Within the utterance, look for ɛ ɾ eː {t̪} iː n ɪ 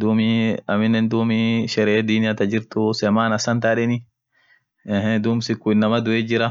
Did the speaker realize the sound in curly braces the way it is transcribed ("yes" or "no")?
no